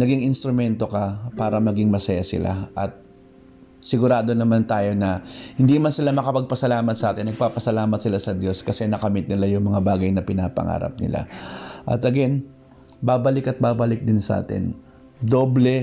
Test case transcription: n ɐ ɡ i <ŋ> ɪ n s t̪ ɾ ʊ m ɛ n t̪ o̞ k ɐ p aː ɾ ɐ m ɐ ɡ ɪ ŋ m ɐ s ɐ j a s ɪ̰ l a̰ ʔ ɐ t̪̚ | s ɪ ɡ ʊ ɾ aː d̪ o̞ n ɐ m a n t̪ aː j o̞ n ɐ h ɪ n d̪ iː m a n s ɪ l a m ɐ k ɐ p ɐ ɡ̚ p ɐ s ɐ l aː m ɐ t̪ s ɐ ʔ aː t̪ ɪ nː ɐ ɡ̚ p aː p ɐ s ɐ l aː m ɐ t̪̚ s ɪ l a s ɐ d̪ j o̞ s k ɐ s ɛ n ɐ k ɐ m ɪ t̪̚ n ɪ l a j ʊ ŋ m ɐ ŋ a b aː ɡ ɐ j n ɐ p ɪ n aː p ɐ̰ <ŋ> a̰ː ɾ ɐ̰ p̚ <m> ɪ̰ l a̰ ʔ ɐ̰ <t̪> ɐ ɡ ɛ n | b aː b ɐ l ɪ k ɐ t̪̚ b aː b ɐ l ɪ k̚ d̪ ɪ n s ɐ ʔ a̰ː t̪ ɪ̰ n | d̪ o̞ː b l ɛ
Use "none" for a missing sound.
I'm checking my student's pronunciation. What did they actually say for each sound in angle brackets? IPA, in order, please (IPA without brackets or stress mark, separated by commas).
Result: ŋ, ŋ, n, t̪